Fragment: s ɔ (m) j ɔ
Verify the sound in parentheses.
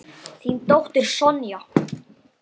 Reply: incorrect: n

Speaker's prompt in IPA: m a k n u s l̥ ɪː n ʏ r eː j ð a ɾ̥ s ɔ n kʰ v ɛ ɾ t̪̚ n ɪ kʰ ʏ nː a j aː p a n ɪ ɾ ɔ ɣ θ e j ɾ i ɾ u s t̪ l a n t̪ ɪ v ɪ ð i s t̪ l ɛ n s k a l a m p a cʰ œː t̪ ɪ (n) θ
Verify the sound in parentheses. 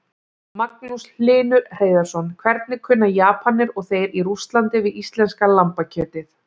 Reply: incorrect: none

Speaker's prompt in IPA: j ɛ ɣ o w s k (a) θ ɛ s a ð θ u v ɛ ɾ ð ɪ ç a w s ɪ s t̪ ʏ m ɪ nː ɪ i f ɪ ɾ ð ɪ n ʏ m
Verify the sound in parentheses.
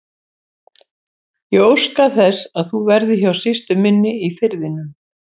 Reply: correct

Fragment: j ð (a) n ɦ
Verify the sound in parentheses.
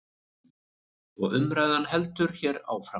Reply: correct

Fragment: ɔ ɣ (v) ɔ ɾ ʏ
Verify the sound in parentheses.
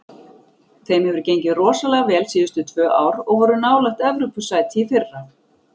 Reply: correct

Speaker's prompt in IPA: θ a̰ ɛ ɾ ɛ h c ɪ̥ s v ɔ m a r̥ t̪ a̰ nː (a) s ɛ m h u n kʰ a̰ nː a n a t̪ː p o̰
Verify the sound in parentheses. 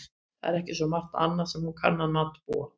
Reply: correct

